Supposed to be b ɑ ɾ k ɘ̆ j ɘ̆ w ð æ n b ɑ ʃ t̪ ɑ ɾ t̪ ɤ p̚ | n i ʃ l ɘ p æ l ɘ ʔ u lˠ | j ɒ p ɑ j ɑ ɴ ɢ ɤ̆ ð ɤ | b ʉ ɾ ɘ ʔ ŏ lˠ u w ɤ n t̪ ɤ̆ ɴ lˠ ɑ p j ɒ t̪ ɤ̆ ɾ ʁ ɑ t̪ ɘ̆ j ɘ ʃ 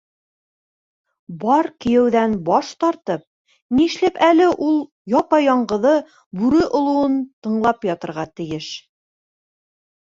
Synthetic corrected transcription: b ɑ ɾ k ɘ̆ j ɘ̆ w ð æ n b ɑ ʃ t̪ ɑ ɾ t̪ ɤ p̚ | n i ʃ l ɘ p æ l ɘ ʔ u lˠ | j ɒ p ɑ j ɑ ɴ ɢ ɤ̆ ð ɤ | b ʉ ɾ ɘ ʔ ŏ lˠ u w ɤ n t̪ ɤ̆ ɴ lˠ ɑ p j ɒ t̪ ɤ̆ ɾ ʁ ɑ t̪ ɘ̆ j ɘ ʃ

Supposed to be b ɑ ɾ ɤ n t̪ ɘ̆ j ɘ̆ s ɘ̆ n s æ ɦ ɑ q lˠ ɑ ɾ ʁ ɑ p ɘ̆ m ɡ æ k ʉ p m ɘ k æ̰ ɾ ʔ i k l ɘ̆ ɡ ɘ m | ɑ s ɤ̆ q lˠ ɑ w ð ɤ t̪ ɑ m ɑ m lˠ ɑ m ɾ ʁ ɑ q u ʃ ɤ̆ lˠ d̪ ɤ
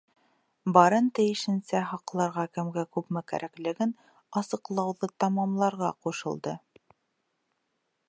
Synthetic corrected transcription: b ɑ ɾ ɤ n t̪ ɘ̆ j ɘ̆ ʃ ɘ̆ n s æ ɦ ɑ q lˠ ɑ ɾ ʁ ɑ k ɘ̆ m ɡ æ k ʉ p m ɘ k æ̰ ɾ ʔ æ k l ɘ̆ ɡ ɘ n | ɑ s ɤ̆ q lˠ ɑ w ð ɤ t̪ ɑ m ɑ m lˠ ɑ ɾ ʁ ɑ q u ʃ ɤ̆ lˠ d̪ ɤ

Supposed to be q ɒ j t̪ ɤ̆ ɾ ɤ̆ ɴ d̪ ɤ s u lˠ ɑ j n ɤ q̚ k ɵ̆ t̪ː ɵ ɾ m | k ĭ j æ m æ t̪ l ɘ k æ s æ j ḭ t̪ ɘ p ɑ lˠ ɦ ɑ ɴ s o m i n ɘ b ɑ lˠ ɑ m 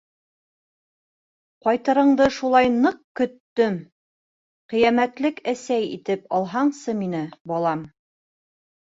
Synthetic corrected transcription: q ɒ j t̪ ɤ̆ ɾ ɤ̆ ɴ d̪ ɤ ʃ u lˠ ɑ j n ɤ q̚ k ɵ̆ t̪ː ɵ m | q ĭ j æ m æ t̪ l ɘ k æ s æ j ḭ t̪ ɘ p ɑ lˠ ɦ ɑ ɴ s ɤ m i n ɘ b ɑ lˠ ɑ m

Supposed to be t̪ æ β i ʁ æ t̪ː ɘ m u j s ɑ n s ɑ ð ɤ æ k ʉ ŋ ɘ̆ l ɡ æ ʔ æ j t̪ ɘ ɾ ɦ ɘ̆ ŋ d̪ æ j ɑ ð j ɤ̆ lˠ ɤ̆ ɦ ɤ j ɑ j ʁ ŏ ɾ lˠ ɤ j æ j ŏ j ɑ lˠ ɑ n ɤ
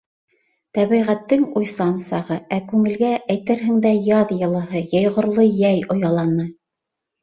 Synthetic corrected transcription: t̪ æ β i ʁ æ t̪ː ɘ ŋ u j s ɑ n s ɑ ʁ ɤ æ k ʉ ŋ ɘ̆ l ɡ æ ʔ æ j t̪ ɘ ɾ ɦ ɘ̆ ŋ d̪ æ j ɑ ð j ɤ̆ lˠ ɤ̆ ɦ ɤ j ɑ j ʁ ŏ ɾ lˠ ɤ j æ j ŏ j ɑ lˠ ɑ n ɤ

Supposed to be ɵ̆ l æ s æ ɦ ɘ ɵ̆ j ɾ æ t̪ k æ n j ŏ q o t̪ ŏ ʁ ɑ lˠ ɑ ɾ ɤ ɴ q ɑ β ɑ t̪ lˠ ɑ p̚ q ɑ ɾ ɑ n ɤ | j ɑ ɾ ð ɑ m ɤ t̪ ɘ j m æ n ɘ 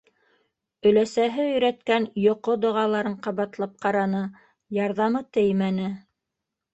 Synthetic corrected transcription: ɵ̆ l æ s æ ɦ ɘ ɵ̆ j ɾ æ t̪ k æ n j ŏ q o d̪ ŏ ʁ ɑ lˠ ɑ ɾ ɤ ɴ q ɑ β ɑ t̪ lˠ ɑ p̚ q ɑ ɾ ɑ n ɤ | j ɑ ɾ ð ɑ m ɤ t̪ ɘ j m æ n ɘ

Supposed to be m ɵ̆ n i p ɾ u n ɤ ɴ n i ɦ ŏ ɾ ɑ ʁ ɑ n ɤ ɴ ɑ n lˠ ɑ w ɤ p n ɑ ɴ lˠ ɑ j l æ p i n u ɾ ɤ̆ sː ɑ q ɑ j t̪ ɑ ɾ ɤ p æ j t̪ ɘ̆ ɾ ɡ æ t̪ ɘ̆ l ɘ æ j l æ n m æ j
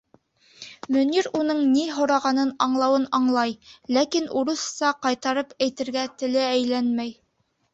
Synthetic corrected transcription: m ɵ̆ n i ɾ u n ɤ ɴ n i ɦ ŏ ɾ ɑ ʁ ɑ n ɤ n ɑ ɴ lˠ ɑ w ɤ n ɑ ɴ lˠ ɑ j l æ k i n u ɾ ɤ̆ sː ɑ q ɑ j t̪ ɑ ɾ ɤ p æ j t̪ ɘ̆ ɾ ɡ æ t̪ ɘ̆ l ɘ æ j l æ n m æ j

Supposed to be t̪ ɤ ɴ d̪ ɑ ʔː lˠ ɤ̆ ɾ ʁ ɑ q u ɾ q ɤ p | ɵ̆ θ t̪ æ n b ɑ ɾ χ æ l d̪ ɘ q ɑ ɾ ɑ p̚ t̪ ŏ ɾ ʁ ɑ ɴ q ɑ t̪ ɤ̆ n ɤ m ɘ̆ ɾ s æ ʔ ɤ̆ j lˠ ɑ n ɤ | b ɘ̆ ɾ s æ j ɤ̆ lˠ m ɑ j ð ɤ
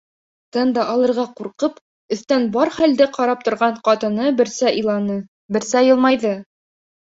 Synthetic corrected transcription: t̪ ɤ n d̪ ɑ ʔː lˠ ɤ̆ ɾ ʁ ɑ q u ɾ q ɤ p | ɵ̆ θ t̪ æ n b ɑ ɾ χ æ l d̪ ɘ q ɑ ɾ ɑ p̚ t̪ ŏ ɾ ʁ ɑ ɴ q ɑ t̪ ɤ̆ n ɤ b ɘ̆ ɾ s æ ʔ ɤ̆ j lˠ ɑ n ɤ | b ɘ̆ ɾ s æ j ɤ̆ lˠ m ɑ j ð ɤ

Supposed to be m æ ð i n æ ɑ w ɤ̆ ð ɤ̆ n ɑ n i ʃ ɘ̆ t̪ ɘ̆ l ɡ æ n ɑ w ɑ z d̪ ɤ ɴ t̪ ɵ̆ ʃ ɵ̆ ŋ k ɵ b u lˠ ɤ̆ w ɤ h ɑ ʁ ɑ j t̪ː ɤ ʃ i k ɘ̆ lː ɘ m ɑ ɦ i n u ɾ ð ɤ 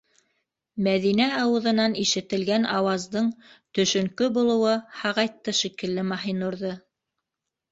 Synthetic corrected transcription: m æ ð i n æ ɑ w ɤ̆ ð ɤ̆ n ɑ n i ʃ ɘ̆ t̪ ɘ̆ l ɡ æ n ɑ w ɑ z d̪ ɤ ɴ t̪ ɵ̆ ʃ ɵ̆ ŋ k ɵ b u lˠ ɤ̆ w ɤ h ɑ ʁ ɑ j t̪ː ɤ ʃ i k ɘ̆ lː ɘ m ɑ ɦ i n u ɾ ð ɤ

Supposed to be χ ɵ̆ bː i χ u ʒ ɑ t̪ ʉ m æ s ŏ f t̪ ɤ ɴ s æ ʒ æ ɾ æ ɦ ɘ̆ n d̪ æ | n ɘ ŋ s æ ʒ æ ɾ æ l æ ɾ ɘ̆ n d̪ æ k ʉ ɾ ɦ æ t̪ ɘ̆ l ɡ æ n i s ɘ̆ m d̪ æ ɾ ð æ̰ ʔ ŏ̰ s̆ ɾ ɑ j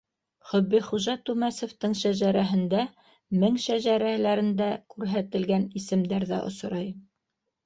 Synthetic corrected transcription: χ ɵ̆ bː i χ u ʒ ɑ t̪ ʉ m æ s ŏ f t̪ ɤ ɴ ʃ æ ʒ æ ɾ æ ɦ ɘ̆ n d̪ æ | m ɘ ŋ ʃ æ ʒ æ ɾ æ l æ ɾ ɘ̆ n d̪ æ k ʉ ɾ ɦ æ t̪ ɘ̆ l ɡ æ n i s ɘ̆ m d̪ æ ɾ ð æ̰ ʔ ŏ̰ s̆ ɾ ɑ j

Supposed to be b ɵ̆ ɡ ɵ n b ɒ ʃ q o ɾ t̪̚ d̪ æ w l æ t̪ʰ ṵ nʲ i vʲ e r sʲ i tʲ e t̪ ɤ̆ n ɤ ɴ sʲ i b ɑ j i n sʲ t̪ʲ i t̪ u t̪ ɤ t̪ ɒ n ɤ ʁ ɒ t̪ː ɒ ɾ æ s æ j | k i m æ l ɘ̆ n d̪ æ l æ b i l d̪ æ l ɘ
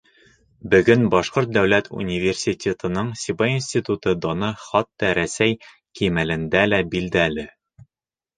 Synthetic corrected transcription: b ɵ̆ ɡ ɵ n b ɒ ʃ q o ɾ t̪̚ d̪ æ w l æ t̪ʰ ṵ nʲ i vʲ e r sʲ i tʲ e t̪ ɤ̆ n ɤ ɴ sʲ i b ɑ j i n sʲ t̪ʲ i t̪ u t̪ ɤ d̪ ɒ n ɤ χ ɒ t̪ː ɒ ɾ æ s æ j | k i m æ l ɘ̆ n d̪ æ l æ b i l d̪ æ l ɘ

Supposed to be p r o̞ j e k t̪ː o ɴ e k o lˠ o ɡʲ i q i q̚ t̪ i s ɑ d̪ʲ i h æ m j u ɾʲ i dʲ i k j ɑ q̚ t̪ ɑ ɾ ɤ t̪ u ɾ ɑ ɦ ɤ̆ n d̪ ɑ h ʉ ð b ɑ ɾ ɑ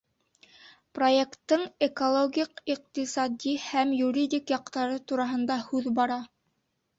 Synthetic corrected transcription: p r o̞ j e k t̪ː ɤ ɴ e k o lˠ o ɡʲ i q i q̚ t̪ i s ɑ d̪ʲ i h æ m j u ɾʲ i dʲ i k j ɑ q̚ t̪ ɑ ɾ ɤ t̪ u ɾ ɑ ɦ ɤ̆ n d̪ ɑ h ʉ ð b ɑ ɾ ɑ

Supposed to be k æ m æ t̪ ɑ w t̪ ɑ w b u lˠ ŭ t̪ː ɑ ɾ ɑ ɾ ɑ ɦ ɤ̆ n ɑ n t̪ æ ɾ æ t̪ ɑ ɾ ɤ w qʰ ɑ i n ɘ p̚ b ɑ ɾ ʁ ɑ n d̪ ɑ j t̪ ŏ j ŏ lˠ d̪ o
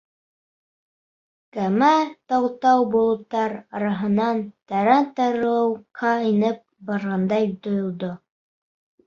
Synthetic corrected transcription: k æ m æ t̪ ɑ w t̪ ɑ w b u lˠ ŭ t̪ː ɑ ɾ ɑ ɾ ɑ ɦ ɤ̆ n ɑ n t̪ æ ɾ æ t̪ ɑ ɾ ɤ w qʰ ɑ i n ɘ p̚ b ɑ ɾ ʁ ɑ n d̪ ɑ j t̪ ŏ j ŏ lˠ d̪ o

